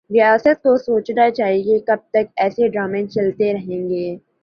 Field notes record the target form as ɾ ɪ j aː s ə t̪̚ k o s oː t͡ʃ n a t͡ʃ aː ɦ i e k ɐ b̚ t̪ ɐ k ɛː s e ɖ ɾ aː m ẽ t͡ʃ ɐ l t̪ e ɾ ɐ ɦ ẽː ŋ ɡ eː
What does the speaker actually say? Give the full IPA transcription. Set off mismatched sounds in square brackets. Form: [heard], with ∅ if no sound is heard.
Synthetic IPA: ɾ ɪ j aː s ə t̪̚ k o s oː t͡ʃ n a t͡ʃ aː ɦ i e k ɐ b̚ t̪ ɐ k ɛː s e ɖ ɾ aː m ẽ t͡ʃ ɐ l t̪ e ɾ ɐ ɦ ẽː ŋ ɡ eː